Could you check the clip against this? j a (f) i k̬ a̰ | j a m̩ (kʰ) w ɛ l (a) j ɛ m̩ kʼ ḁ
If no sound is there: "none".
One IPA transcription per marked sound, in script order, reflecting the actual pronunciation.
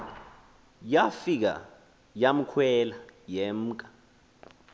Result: f, kʰ, a

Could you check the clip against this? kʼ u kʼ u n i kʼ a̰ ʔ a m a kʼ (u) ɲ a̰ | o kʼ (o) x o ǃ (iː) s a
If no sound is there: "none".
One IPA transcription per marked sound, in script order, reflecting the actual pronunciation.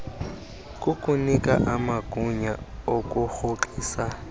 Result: u, u, iː

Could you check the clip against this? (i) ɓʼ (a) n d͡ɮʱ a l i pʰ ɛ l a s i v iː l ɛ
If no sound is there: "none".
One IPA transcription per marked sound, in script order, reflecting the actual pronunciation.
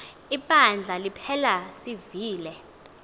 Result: i, a

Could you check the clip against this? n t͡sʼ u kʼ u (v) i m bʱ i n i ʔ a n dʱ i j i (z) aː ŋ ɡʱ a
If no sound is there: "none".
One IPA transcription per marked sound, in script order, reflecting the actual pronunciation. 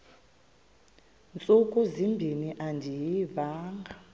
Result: z, v

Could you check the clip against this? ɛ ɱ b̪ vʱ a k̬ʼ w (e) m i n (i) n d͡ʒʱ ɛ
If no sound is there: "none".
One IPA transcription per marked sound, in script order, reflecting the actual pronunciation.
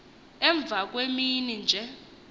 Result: e, i

